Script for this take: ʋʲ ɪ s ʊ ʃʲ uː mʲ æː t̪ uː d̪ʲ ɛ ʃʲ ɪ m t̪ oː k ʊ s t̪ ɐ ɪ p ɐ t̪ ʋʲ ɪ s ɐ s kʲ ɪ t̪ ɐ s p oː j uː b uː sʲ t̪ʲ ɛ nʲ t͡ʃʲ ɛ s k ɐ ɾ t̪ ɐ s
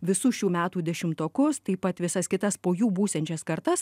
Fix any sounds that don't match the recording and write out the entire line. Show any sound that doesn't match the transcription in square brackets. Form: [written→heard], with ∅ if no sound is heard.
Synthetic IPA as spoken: ʋʲ ɪ s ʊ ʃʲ uː mʲ æː t̪ uː d̪ʲ ɛ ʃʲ ɪ m t̪ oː k ʊ s t̪ ɐ ɪ p ɐ t̪ ʋʲ ɪ s ɐ s kʲ ɪ t̪ ɐ s p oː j uː b uː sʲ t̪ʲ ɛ nʲ t͡ʃʲ ɛ s k ɐ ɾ t̪ ɐ s